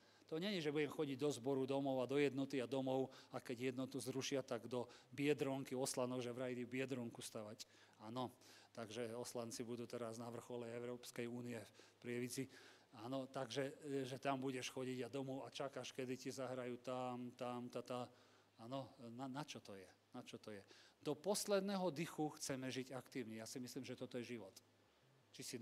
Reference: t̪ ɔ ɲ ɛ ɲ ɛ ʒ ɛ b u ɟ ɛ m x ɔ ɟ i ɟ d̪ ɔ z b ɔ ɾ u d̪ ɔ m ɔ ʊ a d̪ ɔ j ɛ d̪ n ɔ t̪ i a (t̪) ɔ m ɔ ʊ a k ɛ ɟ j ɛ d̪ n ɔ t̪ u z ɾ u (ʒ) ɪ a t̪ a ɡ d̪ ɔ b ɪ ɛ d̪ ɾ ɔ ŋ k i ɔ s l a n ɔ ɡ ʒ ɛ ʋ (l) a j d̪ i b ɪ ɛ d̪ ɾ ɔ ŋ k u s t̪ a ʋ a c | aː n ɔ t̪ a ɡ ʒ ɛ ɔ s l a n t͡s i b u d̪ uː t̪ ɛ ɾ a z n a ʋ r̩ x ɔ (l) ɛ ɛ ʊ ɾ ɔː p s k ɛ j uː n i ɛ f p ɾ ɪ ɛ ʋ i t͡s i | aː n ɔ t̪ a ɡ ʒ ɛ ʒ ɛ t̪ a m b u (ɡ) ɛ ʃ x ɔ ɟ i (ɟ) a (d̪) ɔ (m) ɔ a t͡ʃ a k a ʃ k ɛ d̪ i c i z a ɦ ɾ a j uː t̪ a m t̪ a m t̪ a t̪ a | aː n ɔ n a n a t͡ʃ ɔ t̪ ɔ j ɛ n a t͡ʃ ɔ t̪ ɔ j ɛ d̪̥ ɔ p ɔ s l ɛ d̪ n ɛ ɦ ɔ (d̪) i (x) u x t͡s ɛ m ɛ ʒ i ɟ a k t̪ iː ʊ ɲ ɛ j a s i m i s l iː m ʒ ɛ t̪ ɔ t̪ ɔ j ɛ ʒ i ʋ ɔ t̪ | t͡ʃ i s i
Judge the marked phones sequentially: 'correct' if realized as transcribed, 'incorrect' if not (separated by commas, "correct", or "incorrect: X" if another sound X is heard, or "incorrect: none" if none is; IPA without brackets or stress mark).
incorrect: d̪, incorrect: ʃ, incorrect: ɾ, correct, incorrect: ɟ, correct, correct, correct, correct, correct